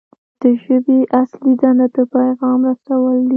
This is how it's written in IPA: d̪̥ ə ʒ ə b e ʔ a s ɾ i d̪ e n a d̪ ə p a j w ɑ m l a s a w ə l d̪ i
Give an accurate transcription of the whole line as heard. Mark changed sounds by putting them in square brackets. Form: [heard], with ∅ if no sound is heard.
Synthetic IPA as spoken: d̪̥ ə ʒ ə b e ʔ a s [l] i d̪ [a] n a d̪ ə p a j [ɣ] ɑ m [ɾ] a s a w ə l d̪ i